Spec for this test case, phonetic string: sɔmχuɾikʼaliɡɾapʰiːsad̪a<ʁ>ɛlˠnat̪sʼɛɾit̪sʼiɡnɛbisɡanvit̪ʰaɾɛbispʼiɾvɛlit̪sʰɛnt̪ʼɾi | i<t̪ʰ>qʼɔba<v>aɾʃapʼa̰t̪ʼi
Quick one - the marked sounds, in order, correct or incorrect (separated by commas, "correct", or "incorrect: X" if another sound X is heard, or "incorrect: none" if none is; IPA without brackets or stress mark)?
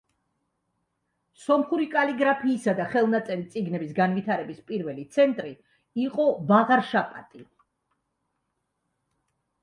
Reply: incorrect: χ, incorrect: none, incorrect: ʁ